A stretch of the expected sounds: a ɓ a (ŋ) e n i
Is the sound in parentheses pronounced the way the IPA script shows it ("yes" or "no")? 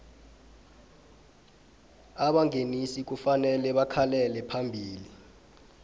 yes